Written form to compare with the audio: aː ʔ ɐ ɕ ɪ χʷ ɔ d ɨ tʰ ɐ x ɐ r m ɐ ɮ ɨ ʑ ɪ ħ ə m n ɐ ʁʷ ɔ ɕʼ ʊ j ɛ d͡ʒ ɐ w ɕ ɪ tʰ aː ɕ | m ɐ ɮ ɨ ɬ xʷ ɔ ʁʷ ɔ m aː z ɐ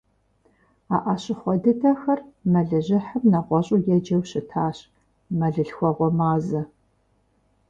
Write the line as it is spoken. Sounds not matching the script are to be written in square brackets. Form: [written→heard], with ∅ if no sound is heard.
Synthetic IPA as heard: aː ʔ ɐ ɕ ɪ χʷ ɔ d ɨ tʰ ɐ x ɐ r m ɐ ɮ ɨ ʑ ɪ ħ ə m n ɐ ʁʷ ɔ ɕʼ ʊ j ɛ d͡ʒ ɐ w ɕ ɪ tʰ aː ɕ | m ɐ ɮ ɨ ɬ xʷ ɔ ʁʷ ɔ m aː z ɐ